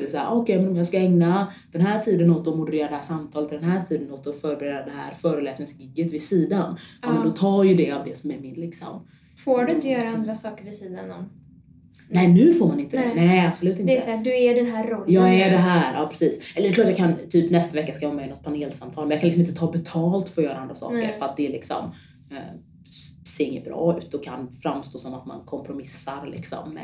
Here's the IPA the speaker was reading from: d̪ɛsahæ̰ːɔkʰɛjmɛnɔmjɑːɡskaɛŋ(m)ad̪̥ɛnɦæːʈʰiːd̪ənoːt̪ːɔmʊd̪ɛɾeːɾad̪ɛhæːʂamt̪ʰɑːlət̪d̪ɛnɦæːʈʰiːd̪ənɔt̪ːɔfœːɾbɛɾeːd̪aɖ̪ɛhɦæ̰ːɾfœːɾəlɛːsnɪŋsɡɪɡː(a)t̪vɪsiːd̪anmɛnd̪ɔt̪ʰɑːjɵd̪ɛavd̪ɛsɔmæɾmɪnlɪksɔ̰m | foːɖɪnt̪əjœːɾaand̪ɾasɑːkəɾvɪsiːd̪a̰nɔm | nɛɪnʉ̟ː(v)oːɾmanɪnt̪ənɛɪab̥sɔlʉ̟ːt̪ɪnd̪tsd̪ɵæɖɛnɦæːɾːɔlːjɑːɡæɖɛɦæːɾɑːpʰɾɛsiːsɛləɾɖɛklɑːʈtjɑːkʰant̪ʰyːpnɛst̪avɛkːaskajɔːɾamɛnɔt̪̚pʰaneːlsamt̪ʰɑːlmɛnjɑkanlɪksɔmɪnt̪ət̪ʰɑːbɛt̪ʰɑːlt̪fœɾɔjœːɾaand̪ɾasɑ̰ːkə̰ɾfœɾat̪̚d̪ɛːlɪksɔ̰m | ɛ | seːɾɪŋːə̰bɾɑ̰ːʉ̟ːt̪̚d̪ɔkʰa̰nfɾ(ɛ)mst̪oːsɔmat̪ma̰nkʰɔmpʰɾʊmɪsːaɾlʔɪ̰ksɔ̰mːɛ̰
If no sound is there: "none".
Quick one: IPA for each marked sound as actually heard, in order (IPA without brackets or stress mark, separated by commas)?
n, ə, f, a